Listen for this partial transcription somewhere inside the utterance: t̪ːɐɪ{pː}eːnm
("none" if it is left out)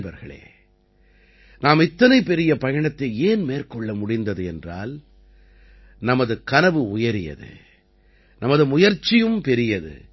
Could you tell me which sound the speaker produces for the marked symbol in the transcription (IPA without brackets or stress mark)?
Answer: none